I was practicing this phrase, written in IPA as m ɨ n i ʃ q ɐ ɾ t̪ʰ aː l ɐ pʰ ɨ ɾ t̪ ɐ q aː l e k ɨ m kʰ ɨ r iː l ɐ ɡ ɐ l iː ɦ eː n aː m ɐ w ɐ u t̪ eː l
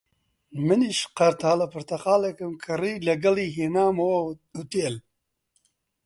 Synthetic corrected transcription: m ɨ n i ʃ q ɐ ɾ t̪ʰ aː l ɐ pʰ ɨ ɾ t̪ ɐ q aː l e k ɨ m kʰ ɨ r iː l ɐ ɡ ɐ l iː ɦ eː n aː m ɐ w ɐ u t̪ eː l